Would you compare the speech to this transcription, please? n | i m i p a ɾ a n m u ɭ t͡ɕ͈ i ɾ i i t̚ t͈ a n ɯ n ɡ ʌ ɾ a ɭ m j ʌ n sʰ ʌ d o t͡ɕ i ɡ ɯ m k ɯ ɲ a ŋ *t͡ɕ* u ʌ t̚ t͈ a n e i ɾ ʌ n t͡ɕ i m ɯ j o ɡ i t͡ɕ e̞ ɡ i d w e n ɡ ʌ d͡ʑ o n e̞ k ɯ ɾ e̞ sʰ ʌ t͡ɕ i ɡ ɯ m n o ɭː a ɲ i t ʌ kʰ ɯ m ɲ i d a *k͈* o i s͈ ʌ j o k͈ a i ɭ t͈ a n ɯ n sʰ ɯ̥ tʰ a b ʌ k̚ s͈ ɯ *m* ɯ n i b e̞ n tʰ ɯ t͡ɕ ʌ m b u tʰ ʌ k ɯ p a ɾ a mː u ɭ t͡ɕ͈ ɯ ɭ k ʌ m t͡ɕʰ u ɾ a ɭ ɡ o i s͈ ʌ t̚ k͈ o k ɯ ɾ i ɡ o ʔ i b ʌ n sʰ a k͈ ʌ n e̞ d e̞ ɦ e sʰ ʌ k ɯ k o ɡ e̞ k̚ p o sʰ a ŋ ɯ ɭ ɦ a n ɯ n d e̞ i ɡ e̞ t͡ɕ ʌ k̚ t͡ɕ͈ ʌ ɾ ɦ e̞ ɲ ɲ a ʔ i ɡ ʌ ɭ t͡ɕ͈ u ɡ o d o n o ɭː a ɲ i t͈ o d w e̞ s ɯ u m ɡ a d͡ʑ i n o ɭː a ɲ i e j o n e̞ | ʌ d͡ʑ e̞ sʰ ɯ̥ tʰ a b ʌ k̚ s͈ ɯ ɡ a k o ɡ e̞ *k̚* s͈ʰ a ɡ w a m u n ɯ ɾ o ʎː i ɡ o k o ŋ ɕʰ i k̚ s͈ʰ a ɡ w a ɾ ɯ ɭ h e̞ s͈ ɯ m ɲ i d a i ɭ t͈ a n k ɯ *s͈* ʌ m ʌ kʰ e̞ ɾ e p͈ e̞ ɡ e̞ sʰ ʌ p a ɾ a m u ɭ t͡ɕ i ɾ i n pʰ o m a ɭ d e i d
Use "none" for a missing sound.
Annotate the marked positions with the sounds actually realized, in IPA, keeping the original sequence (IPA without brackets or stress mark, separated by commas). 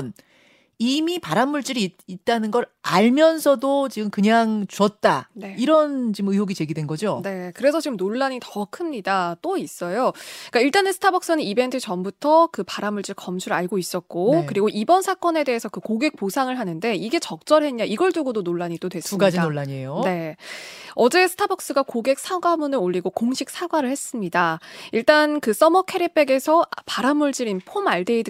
t͡ɕ, t͈, n, k̚, s͈